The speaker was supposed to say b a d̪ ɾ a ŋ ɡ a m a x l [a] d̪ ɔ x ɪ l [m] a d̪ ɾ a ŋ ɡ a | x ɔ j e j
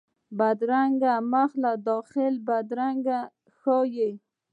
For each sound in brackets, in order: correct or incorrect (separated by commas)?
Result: correct, incorrect